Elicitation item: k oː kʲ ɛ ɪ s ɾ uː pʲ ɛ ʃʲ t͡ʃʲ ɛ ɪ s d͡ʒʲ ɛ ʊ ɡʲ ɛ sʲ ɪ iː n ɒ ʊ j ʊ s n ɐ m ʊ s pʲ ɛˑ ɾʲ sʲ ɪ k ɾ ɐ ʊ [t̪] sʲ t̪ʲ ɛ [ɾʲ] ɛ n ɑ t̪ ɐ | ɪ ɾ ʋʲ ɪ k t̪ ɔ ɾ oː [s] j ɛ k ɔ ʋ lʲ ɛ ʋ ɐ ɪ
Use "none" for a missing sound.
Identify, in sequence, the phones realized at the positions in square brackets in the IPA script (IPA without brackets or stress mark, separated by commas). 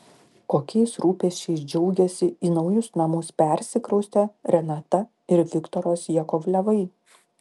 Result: none, ɾʲ, s